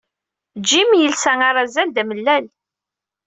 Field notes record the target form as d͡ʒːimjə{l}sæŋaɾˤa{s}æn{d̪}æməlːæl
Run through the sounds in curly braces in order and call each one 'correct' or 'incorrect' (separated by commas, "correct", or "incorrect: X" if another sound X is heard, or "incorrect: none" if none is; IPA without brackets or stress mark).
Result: correct, incorrect: z, correct